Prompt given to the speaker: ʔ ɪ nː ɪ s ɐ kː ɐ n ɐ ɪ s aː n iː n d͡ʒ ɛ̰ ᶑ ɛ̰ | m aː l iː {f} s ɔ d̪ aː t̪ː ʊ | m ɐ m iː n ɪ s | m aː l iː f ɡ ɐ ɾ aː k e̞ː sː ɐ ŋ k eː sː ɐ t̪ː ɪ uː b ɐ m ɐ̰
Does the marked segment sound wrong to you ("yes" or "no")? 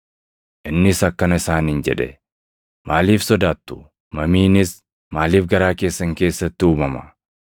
no